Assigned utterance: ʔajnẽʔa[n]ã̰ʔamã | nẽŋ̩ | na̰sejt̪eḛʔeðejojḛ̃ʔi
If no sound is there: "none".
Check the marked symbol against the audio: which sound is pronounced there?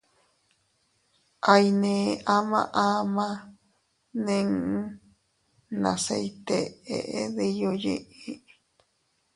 m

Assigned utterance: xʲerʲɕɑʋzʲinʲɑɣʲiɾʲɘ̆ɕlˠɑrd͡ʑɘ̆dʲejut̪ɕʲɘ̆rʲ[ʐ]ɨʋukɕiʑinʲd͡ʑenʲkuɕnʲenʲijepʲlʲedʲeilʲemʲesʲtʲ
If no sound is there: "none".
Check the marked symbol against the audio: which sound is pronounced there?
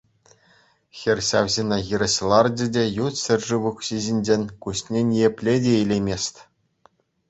ʐ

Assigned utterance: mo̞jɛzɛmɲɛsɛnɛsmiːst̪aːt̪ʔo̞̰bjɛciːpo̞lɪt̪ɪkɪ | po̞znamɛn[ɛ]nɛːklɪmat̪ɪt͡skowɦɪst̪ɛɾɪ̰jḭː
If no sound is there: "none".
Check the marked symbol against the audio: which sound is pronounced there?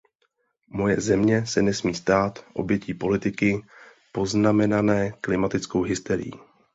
a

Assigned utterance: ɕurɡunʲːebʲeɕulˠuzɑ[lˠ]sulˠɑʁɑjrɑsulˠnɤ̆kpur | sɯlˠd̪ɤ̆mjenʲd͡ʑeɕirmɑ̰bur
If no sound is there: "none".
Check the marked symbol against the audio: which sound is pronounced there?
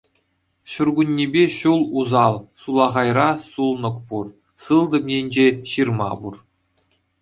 lˠ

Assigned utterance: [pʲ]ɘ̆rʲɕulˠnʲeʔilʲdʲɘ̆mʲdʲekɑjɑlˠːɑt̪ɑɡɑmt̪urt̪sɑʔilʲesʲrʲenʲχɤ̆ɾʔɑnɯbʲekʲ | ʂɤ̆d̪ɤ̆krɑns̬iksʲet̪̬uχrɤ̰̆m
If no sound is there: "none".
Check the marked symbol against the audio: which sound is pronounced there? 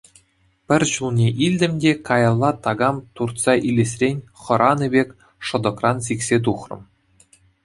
pʲ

